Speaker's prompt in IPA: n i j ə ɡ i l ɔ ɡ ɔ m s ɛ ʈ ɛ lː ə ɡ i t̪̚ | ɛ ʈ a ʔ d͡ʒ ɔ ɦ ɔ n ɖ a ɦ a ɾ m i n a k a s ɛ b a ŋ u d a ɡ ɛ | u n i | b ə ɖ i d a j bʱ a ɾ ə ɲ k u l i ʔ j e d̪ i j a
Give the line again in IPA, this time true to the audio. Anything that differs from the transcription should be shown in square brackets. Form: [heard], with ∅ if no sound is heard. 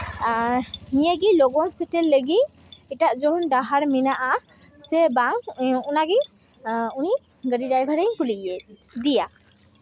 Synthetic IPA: n i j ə ɡ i l ɔ ɡ ɔ [n] s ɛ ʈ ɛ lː ə ɡ i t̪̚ | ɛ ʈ a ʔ d͡ʒ ɔ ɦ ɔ n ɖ a ɦ a ɾ m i n a [ʔ] a s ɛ b a ŋ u [n] a ɡ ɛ | u n i | [ɡ] ə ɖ i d a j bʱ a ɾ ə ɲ k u l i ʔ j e d̪ i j a